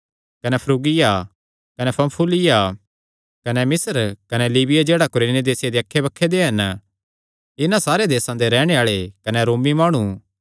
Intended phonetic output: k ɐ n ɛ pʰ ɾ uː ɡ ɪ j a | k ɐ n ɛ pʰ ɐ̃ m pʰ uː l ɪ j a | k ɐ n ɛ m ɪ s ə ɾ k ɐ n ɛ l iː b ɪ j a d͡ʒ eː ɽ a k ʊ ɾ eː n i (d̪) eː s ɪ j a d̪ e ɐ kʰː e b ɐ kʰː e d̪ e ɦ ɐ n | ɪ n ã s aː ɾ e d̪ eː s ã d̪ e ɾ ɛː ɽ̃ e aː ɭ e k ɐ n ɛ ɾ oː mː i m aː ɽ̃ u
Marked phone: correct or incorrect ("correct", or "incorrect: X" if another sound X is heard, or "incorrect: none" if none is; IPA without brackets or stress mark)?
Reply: correct